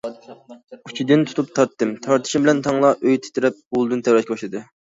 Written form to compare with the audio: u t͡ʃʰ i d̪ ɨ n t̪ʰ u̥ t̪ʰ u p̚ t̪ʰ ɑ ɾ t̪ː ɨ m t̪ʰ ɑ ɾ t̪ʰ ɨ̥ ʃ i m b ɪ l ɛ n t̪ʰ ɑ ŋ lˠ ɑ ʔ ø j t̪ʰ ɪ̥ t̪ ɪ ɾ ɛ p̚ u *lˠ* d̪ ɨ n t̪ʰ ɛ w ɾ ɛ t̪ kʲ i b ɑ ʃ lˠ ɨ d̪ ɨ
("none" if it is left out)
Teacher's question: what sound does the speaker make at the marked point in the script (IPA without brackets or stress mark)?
lˠ